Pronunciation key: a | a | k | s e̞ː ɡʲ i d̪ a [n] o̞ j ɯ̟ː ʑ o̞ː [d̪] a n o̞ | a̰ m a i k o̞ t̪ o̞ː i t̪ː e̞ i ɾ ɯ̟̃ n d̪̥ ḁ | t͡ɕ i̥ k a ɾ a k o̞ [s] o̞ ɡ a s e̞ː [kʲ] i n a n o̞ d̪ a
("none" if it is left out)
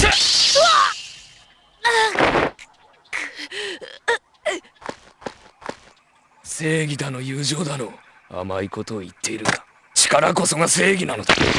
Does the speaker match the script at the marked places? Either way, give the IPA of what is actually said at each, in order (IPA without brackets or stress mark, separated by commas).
n, d̪, s, ɡʲ